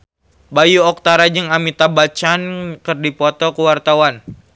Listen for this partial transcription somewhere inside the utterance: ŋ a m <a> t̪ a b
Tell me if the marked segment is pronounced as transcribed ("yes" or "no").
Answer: no